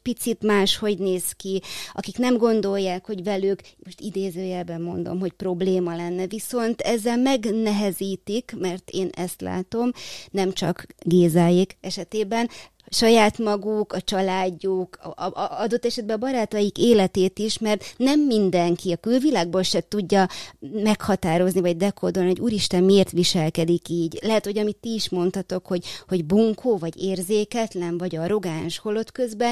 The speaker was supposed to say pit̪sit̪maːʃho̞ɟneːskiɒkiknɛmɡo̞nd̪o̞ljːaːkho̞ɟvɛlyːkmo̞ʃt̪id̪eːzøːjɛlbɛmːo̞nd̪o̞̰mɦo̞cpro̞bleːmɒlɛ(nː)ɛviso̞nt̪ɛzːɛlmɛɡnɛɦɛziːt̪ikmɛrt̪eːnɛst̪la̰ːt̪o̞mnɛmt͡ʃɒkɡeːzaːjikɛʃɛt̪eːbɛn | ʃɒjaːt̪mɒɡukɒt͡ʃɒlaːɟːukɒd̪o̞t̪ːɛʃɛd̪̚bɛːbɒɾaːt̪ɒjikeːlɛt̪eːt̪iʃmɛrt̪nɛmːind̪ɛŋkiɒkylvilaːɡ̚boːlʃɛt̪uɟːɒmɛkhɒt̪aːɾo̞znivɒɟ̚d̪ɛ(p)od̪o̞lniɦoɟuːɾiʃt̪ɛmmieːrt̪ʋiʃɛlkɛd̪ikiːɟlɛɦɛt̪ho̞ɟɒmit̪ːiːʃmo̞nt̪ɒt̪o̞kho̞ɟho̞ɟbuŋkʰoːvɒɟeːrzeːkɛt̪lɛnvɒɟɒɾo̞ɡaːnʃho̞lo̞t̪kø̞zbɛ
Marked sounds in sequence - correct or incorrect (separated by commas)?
correct, incorrect